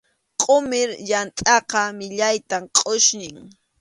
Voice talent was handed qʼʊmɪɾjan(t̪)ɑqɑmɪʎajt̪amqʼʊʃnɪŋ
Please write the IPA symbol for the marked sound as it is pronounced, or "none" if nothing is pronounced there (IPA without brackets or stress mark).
t̪ʼ